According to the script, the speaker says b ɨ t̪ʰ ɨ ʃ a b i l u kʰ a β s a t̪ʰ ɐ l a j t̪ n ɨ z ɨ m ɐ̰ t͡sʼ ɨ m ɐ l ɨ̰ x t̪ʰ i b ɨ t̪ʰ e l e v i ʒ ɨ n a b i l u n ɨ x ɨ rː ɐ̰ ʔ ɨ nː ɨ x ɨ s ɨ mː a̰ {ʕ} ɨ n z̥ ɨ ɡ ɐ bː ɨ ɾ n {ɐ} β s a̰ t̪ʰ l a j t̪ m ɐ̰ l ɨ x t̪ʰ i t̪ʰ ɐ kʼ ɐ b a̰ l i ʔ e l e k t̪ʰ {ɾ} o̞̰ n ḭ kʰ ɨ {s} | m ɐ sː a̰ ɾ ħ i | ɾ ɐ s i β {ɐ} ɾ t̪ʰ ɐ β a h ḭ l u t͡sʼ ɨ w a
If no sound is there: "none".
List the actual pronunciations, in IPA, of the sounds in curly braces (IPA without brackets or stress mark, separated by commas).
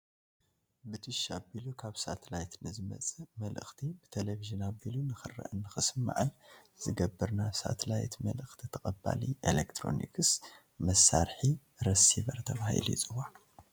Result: ʕ, a, ɾ, s, ɐ